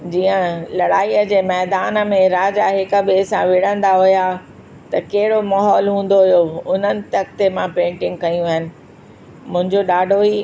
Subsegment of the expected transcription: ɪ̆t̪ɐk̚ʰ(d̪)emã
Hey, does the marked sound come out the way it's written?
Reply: no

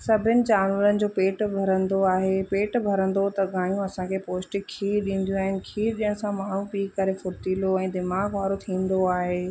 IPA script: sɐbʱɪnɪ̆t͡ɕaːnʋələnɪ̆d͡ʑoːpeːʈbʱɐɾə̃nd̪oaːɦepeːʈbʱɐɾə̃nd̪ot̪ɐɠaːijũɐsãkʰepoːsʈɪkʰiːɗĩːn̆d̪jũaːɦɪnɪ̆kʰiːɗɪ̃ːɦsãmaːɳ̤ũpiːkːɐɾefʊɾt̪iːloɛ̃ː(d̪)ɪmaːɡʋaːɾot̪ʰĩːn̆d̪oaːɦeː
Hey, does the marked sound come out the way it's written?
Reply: yes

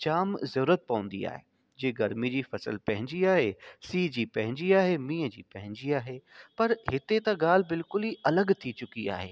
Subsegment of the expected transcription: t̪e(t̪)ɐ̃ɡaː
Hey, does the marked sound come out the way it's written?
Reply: yes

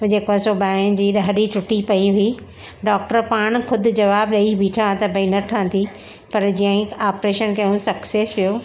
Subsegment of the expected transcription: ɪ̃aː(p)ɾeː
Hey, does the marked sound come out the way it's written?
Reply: yes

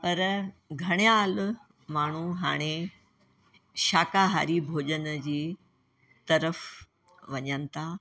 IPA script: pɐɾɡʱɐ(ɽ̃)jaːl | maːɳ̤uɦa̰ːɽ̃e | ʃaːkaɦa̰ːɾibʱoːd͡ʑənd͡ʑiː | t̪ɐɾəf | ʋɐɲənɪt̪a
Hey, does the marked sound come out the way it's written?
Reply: yes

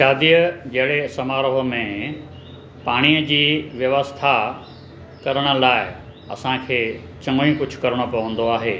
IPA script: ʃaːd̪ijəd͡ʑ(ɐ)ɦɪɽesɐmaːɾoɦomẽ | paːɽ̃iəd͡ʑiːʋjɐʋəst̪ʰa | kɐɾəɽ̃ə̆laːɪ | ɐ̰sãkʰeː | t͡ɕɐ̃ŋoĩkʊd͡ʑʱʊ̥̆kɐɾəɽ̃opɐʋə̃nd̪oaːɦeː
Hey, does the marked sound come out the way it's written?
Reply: yes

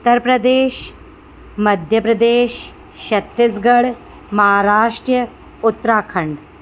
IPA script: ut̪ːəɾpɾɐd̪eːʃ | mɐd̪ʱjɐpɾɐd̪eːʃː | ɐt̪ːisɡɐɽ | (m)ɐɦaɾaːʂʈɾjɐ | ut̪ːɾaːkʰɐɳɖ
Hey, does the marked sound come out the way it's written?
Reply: yes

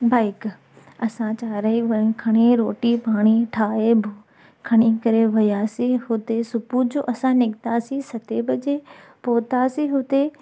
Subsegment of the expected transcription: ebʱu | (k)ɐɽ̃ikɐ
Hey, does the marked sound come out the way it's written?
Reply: no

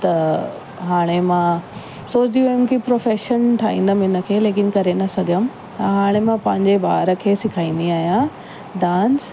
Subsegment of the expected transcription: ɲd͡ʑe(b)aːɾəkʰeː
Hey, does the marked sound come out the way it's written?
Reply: yes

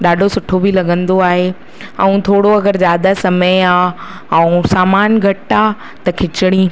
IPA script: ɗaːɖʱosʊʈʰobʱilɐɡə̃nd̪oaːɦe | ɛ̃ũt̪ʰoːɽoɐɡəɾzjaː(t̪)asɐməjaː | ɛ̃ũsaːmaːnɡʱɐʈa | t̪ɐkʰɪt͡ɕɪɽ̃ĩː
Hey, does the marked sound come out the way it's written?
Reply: no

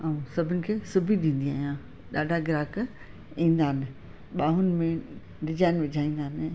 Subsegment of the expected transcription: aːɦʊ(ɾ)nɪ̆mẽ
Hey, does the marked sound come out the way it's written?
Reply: no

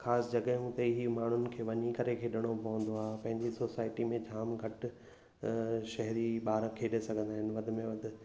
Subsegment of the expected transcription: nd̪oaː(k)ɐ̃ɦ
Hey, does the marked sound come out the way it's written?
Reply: no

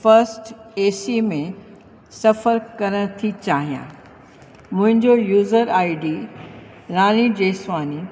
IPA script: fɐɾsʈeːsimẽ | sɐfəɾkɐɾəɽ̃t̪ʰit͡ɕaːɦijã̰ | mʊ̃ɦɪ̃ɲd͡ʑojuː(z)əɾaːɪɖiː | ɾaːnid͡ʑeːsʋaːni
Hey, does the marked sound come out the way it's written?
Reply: yes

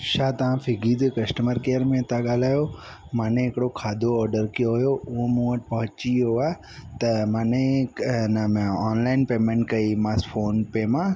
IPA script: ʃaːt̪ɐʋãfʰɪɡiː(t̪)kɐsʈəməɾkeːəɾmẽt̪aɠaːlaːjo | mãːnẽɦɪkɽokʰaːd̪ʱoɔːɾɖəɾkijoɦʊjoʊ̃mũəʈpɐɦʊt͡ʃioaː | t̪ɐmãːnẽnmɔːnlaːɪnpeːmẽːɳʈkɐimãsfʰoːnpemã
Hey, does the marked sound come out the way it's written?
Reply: no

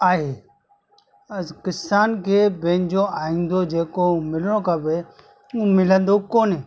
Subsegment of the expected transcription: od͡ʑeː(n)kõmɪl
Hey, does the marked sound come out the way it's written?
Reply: no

